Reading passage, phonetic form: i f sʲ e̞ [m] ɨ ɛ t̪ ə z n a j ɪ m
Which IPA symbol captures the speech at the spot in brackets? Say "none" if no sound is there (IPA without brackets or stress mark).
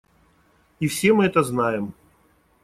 m